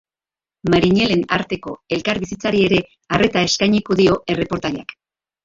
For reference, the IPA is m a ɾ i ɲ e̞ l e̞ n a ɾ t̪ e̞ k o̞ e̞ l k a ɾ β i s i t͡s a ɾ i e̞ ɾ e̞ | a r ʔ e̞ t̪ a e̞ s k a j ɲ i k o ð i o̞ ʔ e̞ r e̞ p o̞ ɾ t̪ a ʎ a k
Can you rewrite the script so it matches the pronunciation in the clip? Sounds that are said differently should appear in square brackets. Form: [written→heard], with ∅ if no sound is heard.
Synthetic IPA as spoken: m a ɾ i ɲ e̞ l e̞ n a ɾ t̪ e̞ k o̞ e̞ l k a ɾ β i s i t͡s a ɾ i e̞ ɾ e̞ | a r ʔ e̞ t̪ a e̞ s k a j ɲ i k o ð i o̞ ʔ e̞ r e̞ p o̞ ɾ t̪ a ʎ a k